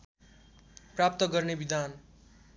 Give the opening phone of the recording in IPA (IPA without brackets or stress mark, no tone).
p